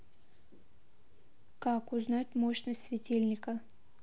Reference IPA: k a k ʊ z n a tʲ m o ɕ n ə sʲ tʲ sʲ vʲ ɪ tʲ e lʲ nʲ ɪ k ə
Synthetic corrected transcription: k a k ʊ z n a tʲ m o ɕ n ə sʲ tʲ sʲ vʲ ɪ tʲ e lʲ nʲ ɪ k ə